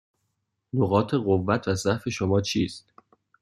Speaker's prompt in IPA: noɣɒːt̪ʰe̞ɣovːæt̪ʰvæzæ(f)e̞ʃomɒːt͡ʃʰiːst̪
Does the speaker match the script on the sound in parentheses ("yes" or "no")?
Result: yes